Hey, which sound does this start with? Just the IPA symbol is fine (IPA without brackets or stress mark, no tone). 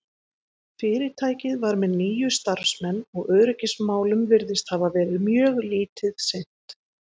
f